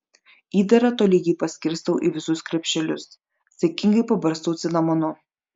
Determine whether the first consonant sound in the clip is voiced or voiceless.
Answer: voiced